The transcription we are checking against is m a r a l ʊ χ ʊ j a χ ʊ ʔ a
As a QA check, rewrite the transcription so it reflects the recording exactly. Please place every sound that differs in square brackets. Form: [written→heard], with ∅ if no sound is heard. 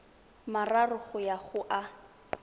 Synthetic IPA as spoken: m a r a [l→r] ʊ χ ʊ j a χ ʊ ʔ a

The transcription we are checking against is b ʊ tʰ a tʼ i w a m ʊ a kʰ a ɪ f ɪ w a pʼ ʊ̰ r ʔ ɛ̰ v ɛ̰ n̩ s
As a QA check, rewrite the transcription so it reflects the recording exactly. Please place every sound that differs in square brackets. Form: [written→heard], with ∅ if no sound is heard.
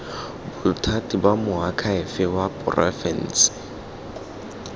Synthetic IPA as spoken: b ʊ tʰ a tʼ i [w→b] a m ʊ a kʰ a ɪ f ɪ w a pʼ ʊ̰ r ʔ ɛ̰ [v→f] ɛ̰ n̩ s

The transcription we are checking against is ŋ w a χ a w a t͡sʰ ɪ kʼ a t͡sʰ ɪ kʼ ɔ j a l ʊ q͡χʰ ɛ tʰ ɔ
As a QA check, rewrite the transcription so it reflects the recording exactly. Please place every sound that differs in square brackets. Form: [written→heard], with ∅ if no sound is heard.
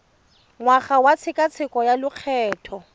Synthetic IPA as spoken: ŋ w a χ a w a t͡sʰ ɪ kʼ a t͡sʰ ɪ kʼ ɔ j a l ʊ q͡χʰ [ɛ→ɛː] tʰ ɔ

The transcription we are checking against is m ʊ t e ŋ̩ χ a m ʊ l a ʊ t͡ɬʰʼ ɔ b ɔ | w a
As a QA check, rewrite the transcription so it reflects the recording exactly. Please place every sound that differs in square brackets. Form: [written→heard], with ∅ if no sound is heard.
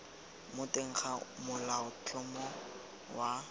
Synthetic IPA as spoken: m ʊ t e ŋ̩ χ a m ʊ l a ʊ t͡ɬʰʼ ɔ [b→m] ɔ | w a

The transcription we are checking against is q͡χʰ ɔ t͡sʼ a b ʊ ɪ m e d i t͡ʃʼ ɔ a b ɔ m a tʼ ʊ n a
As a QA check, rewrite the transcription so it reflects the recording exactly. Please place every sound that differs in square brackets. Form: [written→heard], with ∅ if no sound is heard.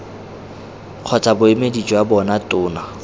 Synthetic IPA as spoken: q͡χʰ ɔ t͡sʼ a b ʊ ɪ m e d i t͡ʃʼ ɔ a b ɔ [m→n] a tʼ [ʊ→ʊː] n a

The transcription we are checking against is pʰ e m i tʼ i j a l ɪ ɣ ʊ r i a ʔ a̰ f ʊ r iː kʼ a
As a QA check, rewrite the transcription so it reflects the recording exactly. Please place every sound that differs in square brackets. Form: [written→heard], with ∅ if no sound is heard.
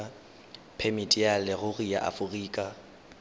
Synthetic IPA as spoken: pʰ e m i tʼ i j a l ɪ ɣ ʊ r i a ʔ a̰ f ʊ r iː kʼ a

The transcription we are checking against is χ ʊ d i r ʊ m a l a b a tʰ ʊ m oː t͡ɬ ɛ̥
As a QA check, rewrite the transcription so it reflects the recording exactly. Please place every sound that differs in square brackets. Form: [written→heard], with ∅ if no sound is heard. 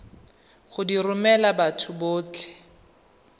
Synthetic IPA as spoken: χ ʊ d i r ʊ m [a→ɛ] l a b a tʰ ʊ [m→b] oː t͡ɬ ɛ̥

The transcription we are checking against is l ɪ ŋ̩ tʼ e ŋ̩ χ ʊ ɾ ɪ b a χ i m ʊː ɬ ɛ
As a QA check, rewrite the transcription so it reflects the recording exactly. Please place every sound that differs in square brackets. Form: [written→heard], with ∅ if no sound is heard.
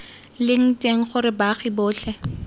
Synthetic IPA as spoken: l ɪ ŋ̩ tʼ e ŋ̩ χ ʊ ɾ ɪ b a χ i [m→b] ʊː ɬ ɛ

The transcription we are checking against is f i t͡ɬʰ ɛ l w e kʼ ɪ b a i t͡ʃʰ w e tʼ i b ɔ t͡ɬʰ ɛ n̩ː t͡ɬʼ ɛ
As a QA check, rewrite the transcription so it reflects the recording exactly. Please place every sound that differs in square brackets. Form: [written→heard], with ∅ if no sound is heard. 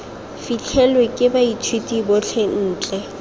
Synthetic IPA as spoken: f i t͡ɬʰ ɛ l w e kʼ ɪ b a i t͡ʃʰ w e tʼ i b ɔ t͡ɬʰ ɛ n̩ː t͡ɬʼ ɛ

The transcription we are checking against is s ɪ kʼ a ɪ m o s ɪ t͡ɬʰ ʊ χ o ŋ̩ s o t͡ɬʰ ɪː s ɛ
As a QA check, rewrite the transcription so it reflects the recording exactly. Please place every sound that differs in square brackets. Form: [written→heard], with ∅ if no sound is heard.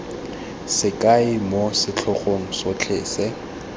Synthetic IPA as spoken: s ɪ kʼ a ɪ m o s ɪ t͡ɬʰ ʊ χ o ŋ̩ s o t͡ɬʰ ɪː s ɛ

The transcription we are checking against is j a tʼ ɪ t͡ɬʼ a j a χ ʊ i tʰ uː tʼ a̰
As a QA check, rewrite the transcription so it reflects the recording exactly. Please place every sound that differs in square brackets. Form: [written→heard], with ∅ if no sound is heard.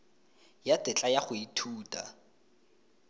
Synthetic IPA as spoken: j a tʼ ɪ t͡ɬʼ a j a χ ʊ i tʰ uː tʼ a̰

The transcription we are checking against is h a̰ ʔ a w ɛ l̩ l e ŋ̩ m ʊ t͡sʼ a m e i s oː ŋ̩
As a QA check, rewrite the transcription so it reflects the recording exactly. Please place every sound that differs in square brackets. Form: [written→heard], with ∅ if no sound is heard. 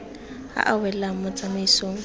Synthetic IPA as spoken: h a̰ ʔ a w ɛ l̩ l [e→a] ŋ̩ m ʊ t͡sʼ a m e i s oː ŋ̩

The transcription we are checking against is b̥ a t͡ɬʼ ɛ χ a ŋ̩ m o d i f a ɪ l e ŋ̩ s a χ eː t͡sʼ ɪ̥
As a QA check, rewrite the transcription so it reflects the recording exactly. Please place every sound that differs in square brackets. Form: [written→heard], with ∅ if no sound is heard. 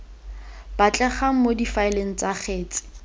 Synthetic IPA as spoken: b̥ a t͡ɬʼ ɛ χ a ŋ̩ m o d i f a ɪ l e ŋ̩ [s→t͡s] a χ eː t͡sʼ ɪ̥

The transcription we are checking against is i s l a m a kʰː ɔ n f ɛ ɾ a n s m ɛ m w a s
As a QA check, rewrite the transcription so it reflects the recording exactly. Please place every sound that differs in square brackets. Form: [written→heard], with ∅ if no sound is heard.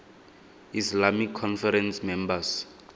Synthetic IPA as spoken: i s l a m [a→i] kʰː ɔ n f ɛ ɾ [a→ɛ] n s m ɛ m [w→b] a s

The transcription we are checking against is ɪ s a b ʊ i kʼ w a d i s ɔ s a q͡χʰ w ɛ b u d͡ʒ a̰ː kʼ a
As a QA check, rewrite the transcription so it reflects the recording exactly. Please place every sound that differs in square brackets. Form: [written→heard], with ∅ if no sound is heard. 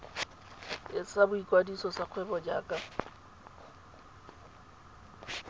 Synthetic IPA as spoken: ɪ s a b ʊ i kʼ w a d i s ɔ s a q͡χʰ w ɛ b [u→ɔ] d͡ʒ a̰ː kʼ a

